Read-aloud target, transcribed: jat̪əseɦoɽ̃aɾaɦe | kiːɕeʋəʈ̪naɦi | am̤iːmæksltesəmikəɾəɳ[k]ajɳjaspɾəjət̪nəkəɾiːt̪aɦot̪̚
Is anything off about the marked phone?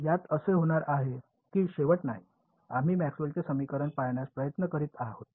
yes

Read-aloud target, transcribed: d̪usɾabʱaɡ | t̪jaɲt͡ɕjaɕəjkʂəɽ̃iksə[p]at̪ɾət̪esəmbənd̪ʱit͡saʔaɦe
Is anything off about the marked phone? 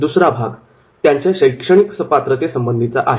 no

